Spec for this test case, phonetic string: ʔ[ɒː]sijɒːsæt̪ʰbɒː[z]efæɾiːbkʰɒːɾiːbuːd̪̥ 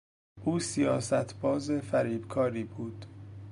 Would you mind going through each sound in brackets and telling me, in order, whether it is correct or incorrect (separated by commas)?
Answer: incorrect, correct